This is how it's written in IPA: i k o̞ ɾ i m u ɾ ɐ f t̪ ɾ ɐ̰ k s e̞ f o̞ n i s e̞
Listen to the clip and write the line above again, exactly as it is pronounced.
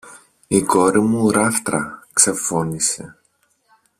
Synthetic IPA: i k o̞ ɾ i m u ɾ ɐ f t̪ ɾ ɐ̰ k s e̞ f o̞ n i s e̞